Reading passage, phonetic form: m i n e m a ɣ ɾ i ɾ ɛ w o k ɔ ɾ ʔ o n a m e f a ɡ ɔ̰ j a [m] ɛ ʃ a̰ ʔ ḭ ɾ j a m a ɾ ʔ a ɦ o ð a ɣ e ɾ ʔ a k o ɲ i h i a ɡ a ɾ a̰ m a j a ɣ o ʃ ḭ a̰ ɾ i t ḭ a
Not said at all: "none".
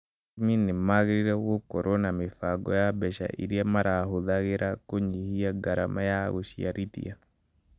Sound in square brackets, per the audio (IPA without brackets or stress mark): b